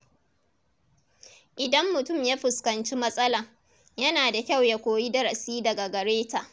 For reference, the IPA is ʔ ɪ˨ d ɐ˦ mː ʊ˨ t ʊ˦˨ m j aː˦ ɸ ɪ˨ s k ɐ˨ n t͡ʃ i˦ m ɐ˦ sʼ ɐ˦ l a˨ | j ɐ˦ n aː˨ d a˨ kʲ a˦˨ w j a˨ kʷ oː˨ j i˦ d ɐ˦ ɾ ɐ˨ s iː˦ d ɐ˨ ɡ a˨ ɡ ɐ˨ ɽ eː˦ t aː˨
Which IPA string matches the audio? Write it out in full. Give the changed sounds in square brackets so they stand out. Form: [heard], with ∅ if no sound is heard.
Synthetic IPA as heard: ʔ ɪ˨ d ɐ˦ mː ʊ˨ t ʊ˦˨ m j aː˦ ɸ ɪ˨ s k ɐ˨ n t͡ʃ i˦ m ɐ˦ sʼ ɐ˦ l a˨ | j ɐ˦ n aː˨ d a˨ kʲ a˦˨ w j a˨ kʷ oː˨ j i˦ d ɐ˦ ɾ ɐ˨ s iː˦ d ɐ˨ ɡ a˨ ɡ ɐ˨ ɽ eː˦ t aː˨